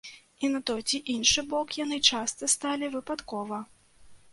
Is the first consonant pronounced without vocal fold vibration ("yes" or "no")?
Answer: no